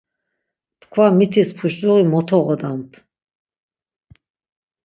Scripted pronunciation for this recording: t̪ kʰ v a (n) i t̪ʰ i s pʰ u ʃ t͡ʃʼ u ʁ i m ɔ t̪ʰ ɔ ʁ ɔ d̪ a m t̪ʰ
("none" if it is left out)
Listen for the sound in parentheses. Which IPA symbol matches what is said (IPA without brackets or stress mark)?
m